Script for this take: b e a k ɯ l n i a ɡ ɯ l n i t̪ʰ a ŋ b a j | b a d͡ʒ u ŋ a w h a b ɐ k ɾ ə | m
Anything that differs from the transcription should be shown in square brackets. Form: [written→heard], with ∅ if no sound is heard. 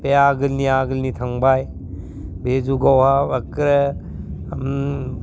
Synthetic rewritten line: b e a [k→ɡ] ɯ l n i a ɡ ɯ l n i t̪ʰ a ŋ b a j | b [a→e] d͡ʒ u [ŋ→ɡ] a w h a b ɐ k ɾ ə | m